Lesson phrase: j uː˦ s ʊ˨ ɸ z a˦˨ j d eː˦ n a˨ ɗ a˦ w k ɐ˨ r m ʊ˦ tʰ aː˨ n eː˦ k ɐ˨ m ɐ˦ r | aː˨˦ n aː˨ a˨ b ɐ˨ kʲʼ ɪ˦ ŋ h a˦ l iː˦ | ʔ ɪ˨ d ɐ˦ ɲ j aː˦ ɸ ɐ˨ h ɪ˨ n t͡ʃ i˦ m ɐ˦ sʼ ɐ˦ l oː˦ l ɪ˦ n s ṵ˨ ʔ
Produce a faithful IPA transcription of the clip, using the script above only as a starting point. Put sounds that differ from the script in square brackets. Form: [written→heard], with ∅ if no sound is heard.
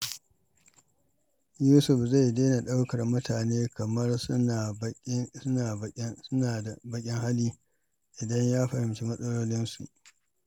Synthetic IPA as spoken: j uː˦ s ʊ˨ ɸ z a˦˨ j d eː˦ n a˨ ɗ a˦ w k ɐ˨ r m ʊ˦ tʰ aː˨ n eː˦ k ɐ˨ m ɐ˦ r | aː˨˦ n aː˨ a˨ b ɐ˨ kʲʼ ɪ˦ ŋ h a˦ l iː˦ | ʔ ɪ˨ d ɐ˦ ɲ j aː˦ ɸ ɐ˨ h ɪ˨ [n→m] t͡ʃ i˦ m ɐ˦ sʼ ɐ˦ l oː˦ l ɪ˦ n s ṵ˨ ʔ